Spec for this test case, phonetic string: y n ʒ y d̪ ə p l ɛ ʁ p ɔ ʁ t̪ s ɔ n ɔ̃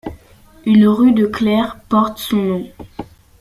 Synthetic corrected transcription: y n ʁ y d̪ ə k l ɛ ʁ p ɔ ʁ t̪ s ɔ̃ n ɔ̃